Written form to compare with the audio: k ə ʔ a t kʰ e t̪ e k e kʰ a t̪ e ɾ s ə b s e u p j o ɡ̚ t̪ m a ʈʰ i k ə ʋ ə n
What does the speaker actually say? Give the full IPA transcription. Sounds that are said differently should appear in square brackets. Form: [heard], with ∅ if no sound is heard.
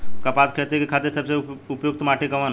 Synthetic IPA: k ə [p] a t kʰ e t̪ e k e kʰ a t̪ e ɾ s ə b s e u p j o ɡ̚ t̪ m a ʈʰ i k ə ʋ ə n

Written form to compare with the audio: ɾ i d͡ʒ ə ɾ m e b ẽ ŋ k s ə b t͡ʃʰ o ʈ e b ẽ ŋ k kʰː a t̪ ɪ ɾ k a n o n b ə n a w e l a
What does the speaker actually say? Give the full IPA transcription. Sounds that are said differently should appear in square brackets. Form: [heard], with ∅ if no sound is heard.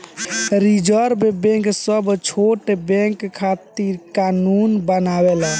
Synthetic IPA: ɾ i d͡ʒ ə ɾ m e b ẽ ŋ k s ə b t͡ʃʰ o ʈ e b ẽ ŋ k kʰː a t̪ [i] ɾ k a n [u] n b ə n a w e l a

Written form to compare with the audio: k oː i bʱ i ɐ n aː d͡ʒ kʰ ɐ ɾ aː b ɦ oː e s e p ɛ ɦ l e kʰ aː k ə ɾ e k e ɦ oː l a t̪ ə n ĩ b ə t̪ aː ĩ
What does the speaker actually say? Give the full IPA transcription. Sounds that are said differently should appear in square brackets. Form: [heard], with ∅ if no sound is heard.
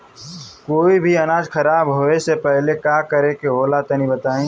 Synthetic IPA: k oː i bʱ i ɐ n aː d͡ʒ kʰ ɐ ɾ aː b ɦ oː e s e p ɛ ɦ l e [k] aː k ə ɾ e k e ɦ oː l a t̪ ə n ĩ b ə t̪ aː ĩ

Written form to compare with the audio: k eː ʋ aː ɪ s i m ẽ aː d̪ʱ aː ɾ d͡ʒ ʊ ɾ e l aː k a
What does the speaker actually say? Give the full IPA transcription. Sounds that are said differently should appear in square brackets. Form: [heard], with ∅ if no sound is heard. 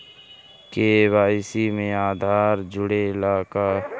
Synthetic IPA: k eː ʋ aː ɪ s i m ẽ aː d̪ʱ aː ɾ d͡ʒ ʊ [ɽ] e l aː k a

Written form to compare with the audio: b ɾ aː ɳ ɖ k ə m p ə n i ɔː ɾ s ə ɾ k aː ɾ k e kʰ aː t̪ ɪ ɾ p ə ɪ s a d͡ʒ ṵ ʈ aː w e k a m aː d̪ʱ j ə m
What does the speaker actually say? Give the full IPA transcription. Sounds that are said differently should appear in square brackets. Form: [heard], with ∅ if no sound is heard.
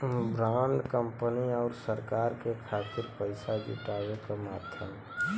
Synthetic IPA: b ɾ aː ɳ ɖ k ə m p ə n i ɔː ɾ s ə ɾ k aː ɾ k e kʰ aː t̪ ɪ ɾ p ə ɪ s a d͡ʒ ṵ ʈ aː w e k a m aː d̪ʱ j ə m

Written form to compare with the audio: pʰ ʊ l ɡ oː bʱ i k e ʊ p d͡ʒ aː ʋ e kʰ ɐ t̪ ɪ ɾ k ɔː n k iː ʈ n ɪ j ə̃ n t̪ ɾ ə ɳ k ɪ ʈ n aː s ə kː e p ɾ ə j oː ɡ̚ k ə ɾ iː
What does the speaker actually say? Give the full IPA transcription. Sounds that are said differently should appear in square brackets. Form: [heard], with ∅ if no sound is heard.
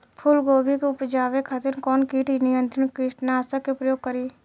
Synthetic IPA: pʰ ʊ l ɡ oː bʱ i k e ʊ p d͡ʒ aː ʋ e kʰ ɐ t̪ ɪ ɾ k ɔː n k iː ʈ n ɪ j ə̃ n t̪ ɾ ə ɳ k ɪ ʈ n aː s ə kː e p ɾ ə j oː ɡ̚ k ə ɾ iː

